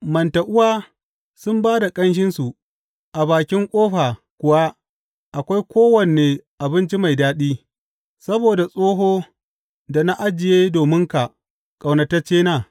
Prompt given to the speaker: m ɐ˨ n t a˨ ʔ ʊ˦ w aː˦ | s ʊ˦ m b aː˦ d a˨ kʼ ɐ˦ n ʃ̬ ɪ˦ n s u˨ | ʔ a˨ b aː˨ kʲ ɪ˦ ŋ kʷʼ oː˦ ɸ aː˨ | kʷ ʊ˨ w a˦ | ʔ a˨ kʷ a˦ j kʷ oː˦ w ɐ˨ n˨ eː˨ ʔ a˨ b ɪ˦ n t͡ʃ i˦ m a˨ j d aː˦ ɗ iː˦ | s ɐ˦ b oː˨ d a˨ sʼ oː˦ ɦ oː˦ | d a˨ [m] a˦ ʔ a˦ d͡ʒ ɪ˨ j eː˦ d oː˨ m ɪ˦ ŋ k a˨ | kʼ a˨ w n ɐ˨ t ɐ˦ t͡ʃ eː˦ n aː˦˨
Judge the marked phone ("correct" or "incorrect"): incorrect